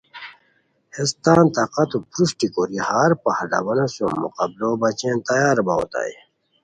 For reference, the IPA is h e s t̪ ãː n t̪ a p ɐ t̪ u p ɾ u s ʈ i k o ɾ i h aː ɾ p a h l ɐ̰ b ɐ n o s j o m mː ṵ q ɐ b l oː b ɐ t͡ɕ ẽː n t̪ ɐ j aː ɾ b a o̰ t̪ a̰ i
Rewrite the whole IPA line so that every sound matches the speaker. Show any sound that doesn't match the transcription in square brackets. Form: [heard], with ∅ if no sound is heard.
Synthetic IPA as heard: h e s t̪ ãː n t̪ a [q] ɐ t̪ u p ɾ u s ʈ i k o ɾ i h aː ɾ p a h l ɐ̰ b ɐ n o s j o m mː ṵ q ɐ b l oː b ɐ t͡ɕ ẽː n t̪ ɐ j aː ɾ b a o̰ t̪ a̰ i